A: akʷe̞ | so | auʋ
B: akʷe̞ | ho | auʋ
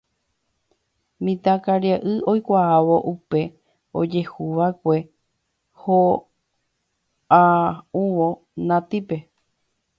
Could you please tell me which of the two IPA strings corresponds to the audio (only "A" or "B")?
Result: B